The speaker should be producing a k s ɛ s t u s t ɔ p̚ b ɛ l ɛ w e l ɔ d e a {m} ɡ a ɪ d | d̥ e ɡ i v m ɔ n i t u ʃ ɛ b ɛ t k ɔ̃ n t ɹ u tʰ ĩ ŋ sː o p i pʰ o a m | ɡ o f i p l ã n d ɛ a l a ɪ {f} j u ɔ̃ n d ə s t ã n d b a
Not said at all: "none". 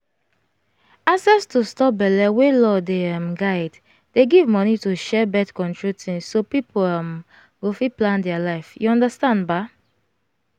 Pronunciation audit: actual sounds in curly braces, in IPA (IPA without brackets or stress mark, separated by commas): m, f